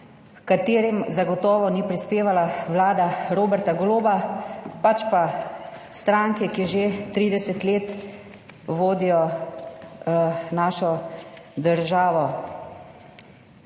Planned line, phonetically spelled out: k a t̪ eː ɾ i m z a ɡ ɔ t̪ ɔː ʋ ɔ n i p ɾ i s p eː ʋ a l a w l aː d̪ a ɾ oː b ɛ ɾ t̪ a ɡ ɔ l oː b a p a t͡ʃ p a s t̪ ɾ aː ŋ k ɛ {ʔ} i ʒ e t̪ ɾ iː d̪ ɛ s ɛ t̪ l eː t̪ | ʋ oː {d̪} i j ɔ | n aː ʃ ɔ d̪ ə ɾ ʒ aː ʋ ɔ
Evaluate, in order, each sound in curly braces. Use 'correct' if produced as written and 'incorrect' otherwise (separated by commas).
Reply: incorrect, correct